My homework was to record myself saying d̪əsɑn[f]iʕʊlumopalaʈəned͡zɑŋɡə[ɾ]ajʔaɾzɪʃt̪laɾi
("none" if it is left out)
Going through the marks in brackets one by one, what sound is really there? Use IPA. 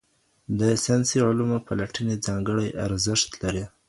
s, ɽ

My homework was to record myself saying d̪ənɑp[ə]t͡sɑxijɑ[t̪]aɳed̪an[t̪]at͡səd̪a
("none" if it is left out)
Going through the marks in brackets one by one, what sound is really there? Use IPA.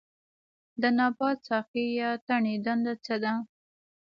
ɑ, t̪, d̪

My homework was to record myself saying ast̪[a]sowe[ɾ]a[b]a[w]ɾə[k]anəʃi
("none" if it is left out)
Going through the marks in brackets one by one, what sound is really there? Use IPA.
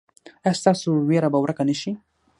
ɑ, ɾ, b, w, k

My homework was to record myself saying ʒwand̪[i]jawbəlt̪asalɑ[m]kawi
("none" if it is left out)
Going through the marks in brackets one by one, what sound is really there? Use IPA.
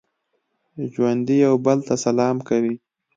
i, m

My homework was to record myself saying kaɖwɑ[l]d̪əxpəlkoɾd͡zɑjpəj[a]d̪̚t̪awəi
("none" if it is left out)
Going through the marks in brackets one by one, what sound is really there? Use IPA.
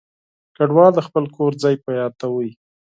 l, ɑ

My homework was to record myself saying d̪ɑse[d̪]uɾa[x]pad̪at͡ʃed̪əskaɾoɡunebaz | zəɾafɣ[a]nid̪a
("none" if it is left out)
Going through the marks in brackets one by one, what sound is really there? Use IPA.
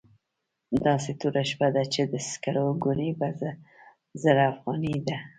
t̪, ʃ, ɑ

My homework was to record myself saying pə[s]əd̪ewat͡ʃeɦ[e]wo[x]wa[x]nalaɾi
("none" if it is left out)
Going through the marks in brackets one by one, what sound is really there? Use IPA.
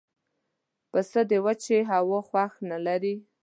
s, a, x, x

